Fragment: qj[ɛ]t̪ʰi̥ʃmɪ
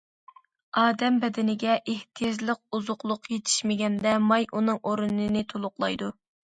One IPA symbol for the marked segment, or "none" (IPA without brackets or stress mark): e